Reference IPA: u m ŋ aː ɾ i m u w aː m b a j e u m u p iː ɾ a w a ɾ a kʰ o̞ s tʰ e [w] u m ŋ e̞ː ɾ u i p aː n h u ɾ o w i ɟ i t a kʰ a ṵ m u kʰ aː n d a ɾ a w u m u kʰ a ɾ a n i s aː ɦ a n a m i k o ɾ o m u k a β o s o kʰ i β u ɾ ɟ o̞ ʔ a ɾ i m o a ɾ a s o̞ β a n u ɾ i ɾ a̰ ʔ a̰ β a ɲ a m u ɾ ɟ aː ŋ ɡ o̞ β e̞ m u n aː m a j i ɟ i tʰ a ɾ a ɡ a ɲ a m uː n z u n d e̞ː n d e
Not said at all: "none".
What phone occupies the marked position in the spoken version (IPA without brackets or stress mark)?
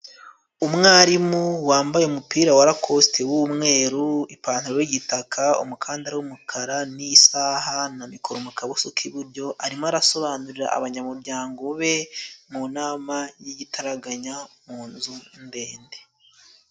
w